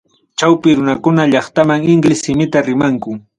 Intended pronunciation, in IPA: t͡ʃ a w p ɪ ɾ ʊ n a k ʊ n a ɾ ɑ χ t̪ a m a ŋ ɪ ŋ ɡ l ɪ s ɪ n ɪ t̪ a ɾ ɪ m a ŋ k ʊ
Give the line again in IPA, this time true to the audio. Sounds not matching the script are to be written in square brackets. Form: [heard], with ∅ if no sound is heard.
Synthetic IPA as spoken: t͡ʃ a w p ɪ ɾ ʊ n a k ʊ n a [ʎ] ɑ χ t̪ a m a ŋ ɪ ŋ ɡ l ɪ s ɪ [m] ɪ t̪ a ɾ ɪ m a ŋ k ʊ